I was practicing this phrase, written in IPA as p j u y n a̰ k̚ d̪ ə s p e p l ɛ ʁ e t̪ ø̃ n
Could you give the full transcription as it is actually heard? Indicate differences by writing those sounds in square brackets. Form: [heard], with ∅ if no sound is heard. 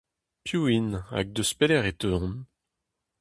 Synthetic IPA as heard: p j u [i] n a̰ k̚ d̪ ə s p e [∅] l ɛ ʁ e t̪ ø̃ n